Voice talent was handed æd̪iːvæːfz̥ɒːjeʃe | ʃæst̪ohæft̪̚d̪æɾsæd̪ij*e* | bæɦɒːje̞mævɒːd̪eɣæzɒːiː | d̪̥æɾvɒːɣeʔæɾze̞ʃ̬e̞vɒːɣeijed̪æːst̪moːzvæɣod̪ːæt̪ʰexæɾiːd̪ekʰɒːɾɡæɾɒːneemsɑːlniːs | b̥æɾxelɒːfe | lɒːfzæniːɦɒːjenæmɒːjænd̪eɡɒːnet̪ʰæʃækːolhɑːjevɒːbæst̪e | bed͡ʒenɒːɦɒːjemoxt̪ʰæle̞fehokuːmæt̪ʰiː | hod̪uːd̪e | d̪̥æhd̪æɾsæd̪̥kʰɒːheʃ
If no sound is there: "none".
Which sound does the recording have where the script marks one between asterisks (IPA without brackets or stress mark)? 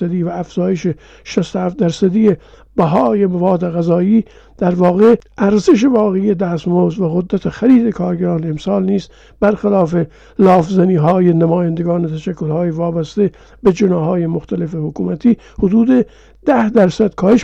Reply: e